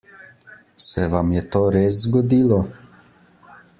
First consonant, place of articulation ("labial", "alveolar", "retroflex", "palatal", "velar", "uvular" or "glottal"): alveolar